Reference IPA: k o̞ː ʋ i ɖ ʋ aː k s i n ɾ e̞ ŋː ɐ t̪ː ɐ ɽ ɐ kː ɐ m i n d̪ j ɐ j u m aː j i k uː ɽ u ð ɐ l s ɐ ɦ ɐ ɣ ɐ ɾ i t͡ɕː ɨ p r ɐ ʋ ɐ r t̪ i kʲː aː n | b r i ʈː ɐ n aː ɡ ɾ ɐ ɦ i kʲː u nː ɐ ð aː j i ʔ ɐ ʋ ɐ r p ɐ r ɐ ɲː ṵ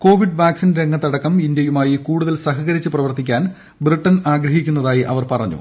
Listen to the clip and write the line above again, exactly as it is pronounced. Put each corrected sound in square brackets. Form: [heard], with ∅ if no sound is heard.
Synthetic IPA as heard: k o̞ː ʋ i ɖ ʋ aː k s i n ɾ e̞ ŋː ɐ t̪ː ɐ ɽ ɐ kː ɐ m i n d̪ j ɐ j u m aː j i k uː ɽ u ð ɐ l s ɐ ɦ ɐ ɣ ɐ ɾ i t͡ɕː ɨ p r ɐ ʋ ɐ r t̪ i kʲː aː n | b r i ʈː ɐ n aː ɡ ɾ ɐ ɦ i kʲː u nː ɐ ð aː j i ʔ ɐ ʋ ɐ r p ɐ r ɐ ɲː ṵ